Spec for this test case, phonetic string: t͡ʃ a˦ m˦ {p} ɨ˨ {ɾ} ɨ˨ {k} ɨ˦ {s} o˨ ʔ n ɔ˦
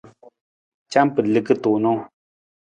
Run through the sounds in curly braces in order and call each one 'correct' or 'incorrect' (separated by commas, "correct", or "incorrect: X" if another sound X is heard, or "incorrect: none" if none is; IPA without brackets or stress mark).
correct, incorrect: l, correct, incorrect: t